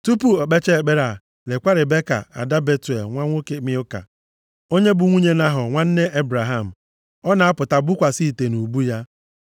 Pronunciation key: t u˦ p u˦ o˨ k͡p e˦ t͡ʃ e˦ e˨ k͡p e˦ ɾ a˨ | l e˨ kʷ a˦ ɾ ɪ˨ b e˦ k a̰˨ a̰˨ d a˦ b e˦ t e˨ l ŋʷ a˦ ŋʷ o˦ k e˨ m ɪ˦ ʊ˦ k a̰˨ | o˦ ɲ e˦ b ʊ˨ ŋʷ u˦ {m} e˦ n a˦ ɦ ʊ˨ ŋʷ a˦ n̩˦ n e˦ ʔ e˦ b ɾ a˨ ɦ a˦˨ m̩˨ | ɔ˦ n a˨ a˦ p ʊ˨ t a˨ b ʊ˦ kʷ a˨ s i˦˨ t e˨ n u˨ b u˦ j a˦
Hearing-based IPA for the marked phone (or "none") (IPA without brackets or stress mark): ɲ